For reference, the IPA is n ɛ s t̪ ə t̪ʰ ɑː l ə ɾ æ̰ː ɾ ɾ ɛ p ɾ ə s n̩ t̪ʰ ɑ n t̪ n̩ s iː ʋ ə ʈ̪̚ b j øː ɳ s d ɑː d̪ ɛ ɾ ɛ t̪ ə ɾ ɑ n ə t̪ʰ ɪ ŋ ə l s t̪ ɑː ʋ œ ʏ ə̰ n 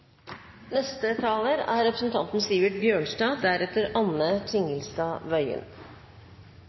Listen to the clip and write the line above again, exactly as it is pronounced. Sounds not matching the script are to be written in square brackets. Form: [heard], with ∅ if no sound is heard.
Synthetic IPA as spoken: n ɛ s t̪ ə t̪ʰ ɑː l ə ɾ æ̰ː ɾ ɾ ɛ p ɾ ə s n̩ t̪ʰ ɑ n t̪ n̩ s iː ʋ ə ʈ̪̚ b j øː ɳ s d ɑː d̪ [æ] ɾ ɛ t̪ ə ɾ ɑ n ə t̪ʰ ɪ ŋ ə l s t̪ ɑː ʋ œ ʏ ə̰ n